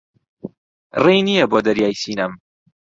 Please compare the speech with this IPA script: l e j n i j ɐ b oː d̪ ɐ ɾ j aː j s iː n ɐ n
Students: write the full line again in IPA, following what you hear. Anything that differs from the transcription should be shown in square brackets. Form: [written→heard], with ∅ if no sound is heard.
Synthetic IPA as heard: [l→r] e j n i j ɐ b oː d̪ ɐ ɾ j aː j s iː n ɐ [n→m]